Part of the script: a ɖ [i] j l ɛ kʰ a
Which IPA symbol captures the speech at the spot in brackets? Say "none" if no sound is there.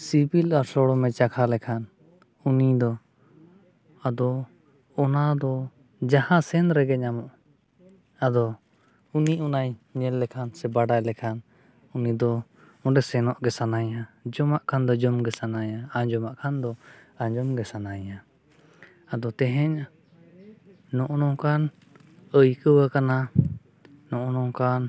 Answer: a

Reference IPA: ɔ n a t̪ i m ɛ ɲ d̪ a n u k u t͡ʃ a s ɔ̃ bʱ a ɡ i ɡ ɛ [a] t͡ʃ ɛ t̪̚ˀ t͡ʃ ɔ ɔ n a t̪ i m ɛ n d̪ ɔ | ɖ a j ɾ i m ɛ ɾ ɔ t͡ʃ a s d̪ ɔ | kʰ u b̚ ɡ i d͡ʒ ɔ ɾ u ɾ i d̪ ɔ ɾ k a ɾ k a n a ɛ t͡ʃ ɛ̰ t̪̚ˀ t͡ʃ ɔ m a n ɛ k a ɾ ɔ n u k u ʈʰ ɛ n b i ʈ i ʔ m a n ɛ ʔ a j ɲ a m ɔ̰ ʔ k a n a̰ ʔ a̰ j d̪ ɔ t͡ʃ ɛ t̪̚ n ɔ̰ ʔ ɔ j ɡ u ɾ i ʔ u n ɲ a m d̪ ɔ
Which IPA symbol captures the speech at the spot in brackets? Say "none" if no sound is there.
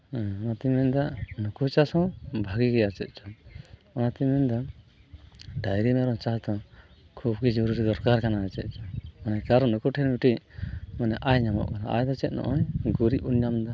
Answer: a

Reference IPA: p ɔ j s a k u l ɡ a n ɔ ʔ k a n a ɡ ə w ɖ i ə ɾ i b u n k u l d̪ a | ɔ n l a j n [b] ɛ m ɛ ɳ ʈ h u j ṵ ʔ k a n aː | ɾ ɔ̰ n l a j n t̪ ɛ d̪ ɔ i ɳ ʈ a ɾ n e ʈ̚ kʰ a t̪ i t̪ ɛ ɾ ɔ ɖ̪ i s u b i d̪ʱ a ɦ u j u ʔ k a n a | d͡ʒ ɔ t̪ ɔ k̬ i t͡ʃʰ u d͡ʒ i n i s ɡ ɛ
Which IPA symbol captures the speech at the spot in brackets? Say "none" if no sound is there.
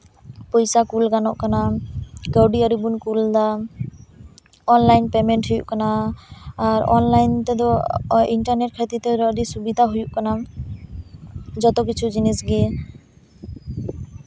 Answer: p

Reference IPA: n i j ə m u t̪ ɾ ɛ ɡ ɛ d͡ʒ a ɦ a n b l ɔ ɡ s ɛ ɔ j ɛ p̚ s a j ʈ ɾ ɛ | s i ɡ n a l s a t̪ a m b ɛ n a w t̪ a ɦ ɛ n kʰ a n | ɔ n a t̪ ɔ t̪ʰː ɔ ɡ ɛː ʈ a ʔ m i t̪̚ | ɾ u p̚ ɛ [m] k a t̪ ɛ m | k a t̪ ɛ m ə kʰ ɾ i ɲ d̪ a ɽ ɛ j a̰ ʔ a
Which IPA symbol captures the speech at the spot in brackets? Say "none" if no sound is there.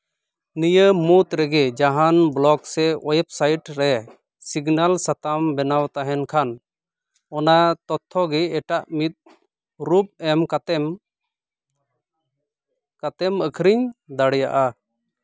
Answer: m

